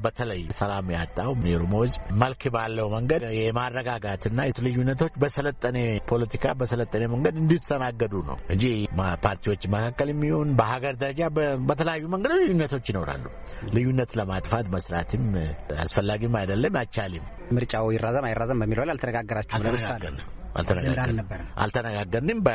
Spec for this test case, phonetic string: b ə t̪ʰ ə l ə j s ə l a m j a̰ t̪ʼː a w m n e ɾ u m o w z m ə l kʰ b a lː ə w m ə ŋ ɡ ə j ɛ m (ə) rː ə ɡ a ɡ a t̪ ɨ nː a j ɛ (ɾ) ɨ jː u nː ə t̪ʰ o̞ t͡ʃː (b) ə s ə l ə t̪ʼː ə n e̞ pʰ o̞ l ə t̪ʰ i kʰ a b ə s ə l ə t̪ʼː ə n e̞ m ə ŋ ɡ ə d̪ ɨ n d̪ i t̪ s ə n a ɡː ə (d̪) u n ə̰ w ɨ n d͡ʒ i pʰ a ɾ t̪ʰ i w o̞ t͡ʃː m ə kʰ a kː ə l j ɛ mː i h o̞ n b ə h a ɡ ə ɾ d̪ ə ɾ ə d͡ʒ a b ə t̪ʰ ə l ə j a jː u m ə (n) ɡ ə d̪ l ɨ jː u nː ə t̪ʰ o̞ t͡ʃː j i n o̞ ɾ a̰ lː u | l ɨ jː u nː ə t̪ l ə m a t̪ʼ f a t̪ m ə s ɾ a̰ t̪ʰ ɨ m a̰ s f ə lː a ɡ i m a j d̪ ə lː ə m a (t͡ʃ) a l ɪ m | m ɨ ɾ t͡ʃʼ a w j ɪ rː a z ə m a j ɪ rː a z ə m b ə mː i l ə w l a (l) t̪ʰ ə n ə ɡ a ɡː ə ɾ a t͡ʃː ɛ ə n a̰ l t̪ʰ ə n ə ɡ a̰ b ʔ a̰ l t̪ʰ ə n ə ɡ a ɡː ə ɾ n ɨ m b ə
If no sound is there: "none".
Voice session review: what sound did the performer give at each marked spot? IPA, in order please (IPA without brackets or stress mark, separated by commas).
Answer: a, l, b, d̪, ŋ, t͡ʃ, l